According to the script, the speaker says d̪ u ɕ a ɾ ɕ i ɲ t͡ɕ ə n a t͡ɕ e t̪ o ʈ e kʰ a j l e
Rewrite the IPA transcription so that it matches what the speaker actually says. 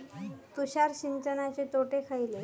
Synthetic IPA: t̪ u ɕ a ɾ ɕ i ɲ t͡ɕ ə n a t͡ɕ e t̪ o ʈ e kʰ a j l e